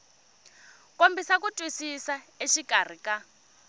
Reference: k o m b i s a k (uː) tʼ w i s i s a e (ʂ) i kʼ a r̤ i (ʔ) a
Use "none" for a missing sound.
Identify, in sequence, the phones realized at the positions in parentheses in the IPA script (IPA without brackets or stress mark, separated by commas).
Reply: u, ʃ, k